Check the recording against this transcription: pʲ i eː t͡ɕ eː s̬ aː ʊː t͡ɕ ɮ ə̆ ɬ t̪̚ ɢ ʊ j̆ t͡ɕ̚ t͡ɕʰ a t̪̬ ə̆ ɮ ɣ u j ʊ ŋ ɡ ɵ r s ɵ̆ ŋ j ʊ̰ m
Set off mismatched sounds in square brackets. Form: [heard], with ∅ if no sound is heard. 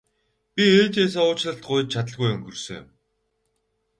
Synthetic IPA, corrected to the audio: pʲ i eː t͡ɕ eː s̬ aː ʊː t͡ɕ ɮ ə̆ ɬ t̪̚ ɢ ʊ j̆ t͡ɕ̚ t͡ɕʰ a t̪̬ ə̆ ɮ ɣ u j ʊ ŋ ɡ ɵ r s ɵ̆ ŋ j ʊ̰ m